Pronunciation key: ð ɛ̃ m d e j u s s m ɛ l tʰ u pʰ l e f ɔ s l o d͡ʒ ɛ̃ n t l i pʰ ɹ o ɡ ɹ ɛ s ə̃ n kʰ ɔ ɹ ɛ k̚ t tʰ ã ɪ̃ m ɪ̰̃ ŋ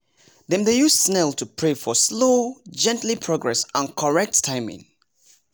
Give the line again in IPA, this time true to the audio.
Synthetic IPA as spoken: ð ɛ̃ m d e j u s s n ɛ l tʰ u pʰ ɹ e f ɔ s l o d͡ʒ ɛ̃ n t l i pʰ ɹ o ɡ ɹ ɛ s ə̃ n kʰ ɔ ɹ ɛ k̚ t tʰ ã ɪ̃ m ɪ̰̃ ŋ